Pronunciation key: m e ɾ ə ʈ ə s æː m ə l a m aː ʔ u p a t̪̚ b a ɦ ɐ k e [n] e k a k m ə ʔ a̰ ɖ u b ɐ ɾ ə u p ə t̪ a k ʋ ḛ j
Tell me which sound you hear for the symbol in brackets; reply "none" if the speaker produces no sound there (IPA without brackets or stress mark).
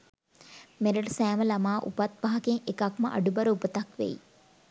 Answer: ŋ